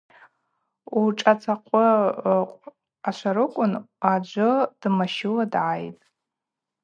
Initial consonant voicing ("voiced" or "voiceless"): voiceless